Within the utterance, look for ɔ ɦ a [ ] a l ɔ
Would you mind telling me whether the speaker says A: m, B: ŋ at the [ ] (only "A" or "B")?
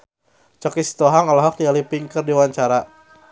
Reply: B